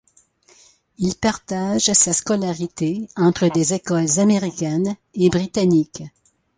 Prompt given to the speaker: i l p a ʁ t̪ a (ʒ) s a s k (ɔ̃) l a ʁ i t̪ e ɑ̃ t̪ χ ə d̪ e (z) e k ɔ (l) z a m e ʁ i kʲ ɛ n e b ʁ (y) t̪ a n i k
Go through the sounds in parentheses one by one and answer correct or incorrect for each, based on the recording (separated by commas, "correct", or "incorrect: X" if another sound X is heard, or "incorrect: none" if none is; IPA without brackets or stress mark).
correct, incorrect: ɔ, correct, correct, incorrect: i